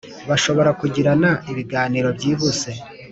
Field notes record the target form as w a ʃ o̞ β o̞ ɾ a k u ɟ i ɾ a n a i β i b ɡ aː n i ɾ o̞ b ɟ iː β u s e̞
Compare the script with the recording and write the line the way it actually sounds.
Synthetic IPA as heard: β a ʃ o̞ β o̞ ɾ a k u ɟ i ɾ a n a i β i ɡ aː n i ɾ o̞ b ɟ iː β u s e̞